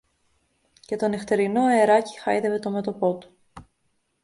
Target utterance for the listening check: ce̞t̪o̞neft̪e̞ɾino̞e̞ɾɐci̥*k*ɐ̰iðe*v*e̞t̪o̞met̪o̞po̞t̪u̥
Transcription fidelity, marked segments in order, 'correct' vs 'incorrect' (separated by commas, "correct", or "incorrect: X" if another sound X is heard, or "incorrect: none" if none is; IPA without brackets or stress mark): incorrect: x, correct